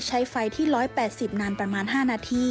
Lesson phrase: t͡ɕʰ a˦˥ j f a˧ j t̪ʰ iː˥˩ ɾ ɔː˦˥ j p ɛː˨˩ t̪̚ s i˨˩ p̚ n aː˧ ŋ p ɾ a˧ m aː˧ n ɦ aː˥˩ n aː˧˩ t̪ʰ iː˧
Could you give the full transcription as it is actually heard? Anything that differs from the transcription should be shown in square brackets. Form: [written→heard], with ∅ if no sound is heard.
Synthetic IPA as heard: t͡ɕʰ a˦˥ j f a˧ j t̪ʰ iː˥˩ ɾ ɔː˦˥ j p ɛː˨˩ t̪̚ s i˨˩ p̚ n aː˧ [ŋ→n] p ɾ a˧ m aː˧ n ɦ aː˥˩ n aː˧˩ t̪ʰ [iː˧→iː˥˩]